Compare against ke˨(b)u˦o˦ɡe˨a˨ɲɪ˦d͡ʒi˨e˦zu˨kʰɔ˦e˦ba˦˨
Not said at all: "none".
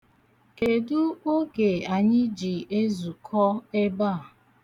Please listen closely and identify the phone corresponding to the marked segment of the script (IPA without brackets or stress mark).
d